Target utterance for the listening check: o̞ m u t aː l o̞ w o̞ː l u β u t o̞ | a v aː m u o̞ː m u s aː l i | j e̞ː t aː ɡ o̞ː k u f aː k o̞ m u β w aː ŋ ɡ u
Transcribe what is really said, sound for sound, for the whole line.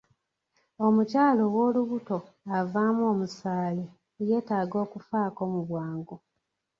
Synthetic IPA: o̞ m u c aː l o̞ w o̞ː l u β u t o̞ | a v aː m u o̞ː m u s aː l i | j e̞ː t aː ɡ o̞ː k u f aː k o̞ m u β w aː ŋ ɡ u